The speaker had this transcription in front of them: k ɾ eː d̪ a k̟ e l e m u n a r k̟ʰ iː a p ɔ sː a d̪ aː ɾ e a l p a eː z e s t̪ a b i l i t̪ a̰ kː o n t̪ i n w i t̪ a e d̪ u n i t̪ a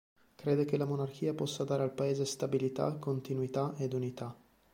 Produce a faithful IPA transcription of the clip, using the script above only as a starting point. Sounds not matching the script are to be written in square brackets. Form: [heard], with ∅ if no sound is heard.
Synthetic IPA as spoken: k ɾ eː d̪ [e] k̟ e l [a] m [o] n a r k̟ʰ iː a p ɔ sː a d̪ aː ɾ e a l p a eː z e s t̪ a b i l i t̪ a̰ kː o n t̪ i n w i t̪ a e d̪ u n i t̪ a